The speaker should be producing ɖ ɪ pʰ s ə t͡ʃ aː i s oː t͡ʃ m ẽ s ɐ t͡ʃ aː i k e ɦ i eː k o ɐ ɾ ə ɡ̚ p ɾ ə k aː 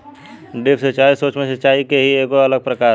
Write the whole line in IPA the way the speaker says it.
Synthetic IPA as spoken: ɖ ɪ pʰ s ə t͡ʃ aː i s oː t͡ʃ m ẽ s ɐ t͡ʃ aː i k e ɦ i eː k o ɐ l ə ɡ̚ p ɾ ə k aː